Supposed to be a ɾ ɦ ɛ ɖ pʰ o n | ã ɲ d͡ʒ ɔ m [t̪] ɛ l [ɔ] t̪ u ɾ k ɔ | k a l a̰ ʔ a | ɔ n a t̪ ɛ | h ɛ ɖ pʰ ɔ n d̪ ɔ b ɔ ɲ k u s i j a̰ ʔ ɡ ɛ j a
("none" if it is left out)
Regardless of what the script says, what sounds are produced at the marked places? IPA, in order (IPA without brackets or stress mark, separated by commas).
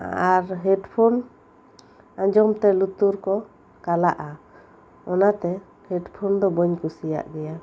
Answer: t̪, u